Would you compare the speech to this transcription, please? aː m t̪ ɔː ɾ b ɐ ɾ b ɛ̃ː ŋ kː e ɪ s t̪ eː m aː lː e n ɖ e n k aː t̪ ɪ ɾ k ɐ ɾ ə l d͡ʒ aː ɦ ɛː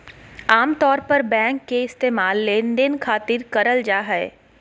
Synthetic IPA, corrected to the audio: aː m t̪ ɔː ɾ p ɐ ɾ b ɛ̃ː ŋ kː e ɪ s t̪ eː m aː lː e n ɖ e n kʰ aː t̪ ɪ ɾ k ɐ ɾ ə l d͡ʒ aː ɦ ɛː